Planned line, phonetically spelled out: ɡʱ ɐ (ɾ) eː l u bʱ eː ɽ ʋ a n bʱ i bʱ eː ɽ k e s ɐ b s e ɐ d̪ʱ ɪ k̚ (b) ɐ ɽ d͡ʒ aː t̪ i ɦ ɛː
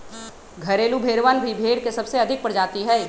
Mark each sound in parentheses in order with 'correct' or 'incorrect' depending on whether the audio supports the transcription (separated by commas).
correct, incorrect